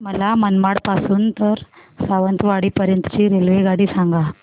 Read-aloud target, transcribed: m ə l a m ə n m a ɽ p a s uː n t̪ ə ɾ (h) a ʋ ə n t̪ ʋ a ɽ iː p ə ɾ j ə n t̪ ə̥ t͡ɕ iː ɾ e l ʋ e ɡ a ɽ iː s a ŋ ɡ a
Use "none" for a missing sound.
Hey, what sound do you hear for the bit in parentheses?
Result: s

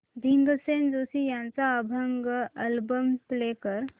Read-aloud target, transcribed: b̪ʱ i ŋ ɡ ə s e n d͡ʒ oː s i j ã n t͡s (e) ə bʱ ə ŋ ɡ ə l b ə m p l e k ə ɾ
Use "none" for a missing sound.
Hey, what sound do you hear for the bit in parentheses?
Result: a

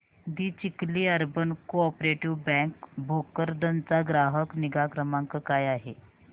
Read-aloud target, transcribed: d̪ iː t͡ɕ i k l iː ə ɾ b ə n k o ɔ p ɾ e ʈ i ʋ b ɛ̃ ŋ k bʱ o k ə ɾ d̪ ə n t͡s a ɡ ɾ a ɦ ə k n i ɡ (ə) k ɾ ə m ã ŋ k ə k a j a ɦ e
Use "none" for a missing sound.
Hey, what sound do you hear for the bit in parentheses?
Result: a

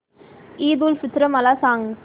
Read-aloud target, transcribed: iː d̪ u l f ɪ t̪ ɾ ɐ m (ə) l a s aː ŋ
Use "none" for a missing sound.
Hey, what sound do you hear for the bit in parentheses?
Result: ɐ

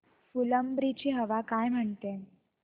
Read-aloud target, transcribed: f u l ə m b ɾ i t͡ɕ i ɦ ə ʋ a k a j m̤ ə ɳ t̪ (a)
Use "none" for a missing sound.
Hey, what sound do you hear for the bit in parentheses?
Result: e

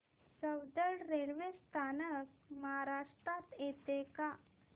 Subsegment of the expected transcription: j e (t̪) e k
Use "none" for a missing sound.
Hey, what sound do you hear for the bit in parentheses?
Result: t̪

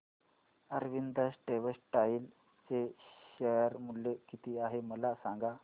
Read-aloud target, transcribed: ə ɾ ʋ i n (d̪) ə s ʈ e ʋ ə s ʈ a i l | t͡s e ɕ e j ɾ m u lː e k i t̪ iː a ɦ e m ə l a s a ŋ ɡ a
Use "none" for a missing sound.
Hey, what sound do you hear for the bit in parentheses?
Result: d̪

